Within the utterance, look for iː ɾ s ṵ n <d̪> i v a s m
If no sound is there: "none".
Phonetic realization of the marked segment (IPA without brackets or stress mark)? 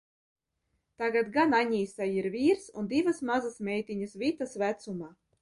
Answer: d̪